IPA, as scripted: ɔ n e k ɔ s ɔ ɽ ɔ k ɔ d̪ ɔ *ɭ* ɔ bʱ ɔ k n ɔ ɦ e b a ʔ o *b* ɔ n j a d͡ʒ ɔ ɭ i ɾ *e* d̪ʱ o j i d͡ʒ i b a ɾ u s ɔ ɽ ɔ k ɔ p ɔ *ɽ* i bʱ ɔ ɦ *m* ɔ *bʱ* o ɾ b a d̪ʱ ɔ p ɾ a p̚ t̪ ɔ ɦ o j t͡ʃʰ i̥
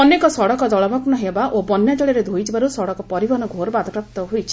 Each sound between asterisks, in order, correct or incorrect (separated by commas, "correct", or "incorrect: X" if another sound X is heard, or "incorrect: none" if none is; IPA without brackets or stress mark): correct, correct, correct, incorrect: ɾ, incorrect: n, incorrect: ɡʱ